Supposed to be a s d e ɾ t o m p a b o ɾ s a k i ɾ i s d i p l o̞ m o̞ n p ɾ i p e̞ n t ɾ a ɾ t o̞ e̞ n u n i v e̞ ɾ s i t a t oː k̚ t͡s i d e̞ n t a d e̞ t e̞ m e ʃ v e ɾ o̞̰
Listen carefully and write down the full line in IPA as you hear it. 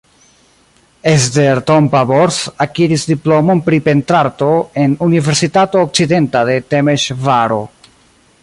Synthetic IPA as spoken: e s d e ɾ t o m p a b o ɾ s a k i ɾ i s d i p l o̞ m o̞ n p ɾ i p e̞ n t ɾ a ɾ t o̞ e̞ n u n i v e̞ ɾ s i t a t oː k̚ t͡s i d e̞ n t a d e̞ t e̞ m e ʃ v a ɾ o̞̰